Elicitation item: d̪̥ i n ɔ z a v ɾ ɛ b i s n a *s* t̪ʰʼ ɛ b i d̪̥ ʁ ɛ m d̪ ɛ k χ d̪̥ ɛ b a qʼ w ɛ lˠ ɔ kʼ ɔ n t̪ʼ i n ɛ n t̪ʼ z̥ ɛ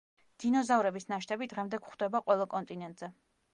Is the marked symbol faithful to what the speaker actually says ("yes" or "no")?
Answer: no